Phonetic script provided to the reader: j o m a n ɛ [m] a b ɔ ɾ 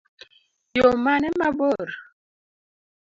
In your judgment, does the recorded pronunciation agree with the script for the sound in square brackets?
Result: yes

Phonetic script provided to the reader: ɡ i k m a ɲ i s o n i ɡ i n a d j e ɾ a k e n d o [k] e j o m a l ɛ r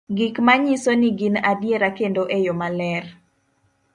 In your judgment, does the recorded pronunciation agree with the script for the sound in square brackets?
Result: no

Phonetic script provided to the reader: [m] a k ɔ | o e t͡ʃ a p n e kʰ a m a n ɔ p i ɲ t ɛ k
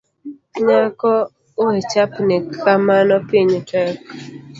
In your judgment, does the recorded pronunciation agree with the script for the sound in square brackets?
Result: no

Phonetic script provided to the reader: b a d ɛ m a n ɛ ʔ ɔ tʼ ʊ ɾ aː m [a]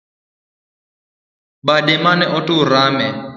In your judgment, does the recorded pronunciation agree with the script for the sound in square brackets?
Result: no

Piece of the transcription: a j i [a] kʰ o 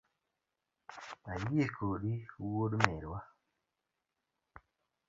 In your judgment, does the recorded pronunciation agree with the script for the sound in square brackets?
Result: no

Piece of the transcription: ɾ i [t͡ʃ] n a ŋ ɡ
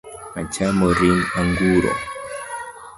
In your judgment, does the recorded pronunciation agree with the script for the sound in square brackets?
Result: no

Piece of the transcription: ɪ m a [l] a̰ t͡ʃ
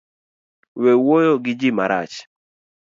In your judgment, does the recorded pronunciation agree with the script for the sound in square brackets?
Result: no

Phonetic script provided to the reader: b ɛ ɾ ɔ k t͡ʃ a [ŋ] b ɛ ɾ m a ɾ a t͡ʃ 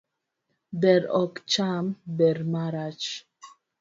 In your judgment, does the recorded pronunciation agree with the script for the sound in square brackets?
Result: no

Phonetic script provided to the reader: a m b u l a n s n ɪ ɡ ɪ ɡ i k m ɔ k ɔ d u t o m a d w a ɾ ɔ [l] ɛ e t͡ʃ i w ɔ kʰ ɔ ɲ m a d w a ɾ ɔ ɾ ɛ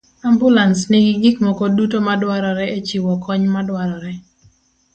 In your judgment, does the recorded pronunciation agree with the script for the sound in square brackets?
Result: no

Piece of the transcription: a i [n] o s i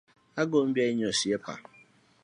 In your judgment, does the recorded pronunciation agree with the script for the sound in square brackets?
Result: no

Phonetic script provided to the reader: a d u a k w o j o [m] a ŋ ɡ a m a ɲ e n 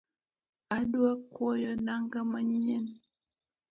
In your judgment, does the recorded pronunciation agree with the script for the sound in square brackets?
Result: no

